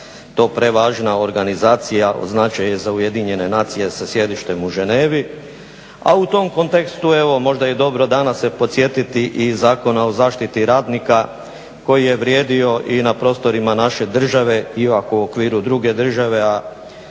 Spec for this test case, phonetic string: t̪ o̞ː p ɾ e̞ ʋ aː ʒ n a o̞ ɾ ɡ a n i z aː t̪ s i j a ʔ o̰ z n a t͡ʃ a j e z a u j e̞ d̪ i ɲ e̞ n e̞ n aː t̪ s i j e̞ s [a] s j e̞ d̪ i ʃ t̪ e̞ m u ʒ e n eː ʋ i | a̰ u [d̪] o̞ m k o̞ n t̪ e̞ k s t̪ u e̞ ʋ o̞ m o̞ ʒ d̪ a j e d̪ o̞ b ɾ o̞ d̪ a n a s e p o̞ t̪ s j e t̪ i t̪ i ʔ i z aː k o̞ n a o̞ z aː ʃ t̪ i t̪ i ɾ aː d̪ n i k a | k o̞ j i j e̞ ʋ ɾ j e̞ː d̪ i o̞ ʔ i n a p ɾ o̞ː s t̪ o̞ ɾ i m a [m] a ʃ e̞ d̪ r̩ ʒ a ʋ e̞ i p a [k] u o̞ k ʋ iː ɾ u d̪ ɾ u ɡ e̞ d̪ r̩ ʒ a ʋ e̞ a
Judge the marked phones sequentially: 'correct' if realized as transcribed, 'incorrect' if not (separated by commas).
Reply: correct, incorrect, incorrect, correct